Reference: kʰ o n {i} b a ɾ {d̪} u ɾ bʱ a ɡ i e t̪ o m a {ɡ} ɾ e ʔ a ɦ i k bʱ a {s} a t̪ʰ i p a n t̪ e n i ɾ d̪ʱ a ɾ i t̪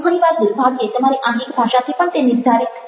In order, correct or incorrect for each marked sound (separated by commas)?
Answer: correct, correct, incorrect, incorrect